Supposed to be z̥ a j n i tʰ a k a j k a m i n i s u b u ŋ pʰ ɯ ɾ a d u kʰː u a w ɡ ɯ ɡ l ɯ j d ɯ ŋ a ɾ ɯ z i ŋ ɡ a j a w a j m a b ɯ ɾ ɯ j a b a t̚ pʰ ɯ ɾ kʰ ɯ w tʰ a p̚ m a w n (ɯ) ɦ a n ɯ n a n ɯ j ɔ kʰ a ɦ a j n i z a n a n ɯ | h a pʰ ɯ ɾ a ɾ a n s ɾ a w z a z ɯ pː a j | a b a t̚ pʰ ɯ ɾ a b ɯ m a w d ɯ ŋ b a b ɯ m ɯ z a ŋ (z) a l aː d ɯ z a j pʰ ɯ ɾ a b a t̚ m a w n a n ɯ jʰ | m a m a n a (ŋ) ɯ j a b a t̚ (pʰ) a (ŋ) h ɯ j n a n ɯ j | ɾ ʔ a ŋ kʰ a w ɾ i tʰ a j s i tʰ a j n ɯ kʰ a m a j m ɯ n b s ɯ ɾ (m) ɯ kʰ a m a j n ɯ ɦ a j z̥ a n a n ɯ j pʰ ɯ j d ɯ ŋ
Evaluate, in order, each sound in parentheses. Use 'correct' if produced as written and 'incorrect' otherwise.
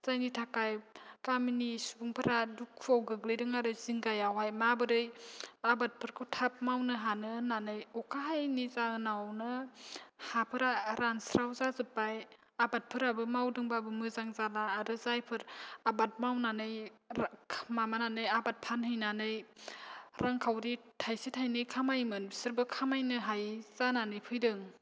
correct, correct, incorrect: n, correct, incorrect: n, incorrect: b

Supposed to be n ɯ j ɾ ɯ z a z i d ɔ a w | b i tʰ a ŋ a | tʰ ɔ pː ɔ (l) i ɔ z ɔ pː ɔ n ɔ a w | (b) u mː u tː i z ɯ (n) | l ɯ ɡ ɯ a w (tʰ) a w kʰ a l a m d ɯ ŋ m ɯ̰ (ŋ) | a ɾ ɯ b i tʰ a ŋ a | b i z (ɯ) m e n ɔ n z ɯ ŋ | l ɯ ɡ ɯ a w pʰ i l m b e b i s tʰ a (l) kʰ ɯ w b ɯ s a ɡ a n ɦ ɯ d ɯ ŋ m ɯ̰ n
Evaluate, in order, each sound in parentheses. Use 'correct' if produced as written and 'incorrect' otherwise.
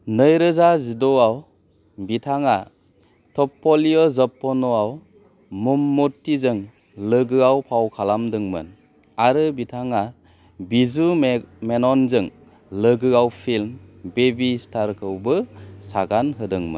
correct, incorrect: m, incorrect: ŋ, incorrect: pʰ, incorrect: n, incorrect: u, incorrect: ɾ

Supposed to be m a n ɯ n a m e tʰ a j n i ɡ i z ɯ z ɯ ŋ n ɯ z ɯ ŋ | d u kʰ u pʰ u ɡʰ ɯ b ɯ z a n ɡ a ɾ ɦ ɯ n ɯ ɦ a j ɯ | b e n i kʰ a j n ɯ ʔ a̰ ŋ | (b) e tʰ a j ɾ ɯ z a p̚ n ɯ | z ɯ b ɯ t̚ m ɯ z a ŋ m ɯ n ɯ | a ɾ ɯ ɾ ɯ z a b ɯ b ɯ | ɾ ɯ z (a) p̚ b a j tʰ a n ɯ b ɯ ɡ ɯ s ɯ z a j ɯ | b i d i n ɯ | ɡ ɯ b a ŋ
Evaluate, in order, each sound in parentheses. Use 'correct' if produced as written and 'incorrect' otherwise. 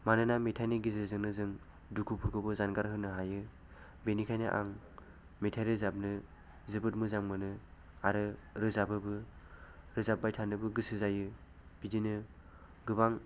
incorrect: m, correct

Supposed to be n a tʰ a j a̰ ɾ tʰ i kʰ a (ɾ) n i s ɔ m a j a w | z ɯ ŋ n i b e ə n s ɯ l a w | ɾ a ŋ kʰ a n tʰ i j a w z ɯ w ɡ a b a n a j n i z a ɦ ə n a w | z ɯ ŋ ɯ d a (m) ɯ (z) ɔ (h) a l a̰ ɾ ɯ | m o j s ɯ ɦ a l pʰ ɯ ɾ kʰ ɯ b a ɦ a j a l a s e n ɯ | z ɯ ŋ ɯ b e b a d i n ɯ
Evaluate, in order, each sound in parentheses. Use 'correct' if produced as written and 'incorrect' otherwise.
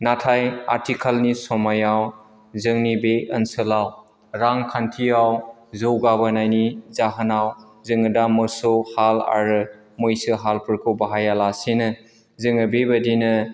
incorrect: l, correct, incorrect: s, correct

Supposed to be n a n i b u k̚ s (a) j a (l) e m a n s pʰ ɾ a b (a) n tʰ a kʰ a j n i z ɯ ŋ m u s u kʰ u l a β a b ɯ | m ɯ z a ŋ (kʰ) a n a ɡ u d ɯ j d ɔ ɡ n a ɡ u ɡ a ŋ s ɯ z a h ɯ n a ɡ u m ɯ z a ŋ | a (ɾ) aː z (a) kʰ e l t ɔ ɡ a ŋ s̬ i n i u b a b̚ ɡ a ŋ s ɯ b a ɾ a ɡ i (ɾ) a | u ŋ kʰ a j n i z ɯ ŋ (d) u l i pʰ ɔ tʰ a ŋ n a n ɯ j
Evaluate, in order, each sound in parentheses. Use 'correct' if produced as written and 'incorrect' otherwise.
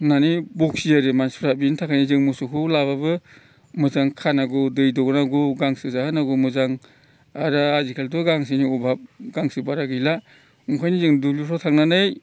incorrect: i, incorrect: ɾ, incorrect: i, correct, correct, incorrect: i, incorrect: l, correct

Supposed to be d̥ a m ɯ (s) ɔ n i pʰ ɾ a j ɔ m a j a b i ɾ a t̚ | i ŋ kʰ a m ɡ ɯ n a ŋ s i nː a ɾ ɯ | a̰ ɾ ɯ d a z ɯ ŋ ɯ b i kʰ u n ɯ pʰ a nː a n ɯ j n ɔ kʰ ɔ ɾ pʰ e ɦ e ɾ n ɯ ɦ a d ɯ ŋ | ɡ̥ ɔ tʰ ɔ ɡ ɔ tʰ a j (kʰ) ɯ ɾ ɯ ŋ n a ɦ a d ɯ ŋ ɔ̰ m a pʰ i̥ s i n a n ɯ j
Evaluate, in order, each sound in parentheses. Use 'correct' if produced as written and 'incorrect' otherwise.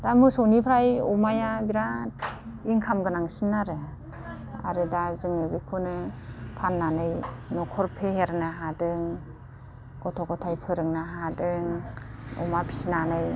correct, incorrect: pʰ

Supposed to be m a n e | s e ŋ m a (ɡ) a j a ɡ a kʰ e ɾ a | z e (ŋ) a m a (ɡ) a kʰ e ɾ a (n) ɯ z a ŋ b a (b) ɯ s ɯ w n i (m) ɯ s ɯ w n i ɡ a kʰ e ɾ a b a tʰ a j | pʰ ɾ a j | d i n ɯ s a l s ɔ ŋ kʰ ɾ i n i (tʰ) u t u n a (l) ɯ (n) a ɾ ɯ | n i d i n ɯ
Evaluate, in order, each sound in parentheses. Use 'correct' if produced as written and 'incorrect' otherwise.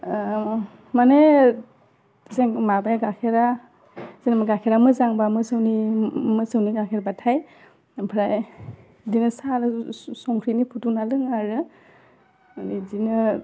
incorrect: b, incorrect: n, correct, incorrect: m, incorrect: m, correct, incorrect: pʰ, correct, incorrect: ŋ

